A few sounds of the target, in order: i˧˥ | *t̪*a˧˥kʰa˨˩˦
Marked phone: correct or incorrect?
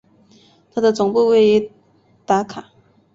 correct